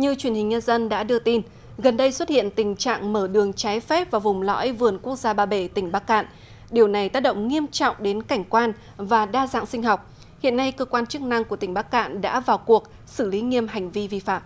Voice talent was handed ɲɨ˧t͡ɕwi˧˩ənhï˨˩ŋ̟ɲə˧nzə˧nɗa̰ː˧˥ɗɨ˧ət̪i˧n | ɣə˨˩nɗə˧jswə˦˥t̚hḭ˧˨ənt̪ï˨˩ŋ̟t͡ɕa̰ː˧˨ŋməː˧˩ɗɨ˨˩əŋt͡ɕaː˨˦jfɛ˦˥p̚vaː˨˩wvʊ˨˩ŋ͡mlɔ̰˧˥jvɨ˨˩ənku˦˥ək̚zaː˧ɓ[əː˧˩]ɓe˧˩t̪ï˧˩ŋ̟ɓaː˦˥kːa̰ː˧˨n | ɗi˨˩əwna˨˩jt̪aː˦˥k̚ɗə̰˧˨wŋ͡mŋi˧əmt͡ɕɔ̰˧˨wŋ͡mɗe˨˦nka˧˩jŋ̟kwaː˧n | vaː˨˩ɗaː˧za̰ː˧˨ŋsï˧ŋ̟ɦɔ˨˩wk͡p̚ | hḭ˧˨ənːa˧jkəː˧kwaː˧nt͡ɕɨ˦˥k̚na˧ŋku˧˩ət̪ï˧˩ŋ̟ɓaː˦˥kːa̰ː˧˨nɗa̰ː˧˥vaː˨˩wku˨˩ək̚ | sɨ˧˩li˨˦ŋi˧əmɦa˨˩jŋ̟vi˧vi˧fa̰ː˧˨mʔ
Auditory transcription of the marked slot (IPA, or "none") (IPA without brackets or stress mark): aː˧˩